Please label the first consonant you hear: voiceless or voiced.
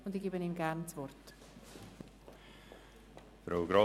voiced